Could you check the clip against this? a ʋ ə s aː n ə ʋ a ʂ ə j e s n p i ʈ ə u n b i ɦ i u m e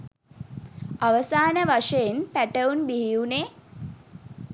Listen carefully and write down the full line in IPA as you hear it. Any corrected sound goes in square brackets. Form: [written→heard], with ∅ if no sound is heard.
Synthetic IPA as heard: a ʋ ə s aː n ə ʋ a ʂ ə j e [s→∅] n p [i→æ] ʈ ə u n b i ɦ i u [m→n] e